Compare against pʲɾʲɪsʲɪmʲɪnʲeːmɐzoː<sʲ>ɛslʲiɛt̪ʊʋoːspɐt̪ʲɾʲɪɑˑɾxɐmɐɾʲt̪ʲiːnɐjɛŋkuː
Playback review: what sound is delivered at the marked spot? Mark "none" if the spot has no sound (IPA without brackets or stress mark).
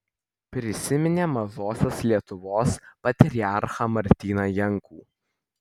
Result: sʲ